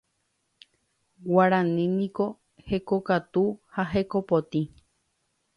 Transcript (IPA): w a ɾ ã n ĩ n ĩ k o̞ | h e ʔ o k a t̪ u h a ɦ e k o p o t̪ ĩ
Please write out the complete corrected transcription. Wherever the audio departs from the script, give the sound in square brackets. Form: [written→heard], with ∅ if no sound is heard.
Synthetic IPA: w a ɾ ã n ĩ n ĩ k o̞ | h e [ʔ→k] o k a t̪ u h a ɦ e k o p o t̪ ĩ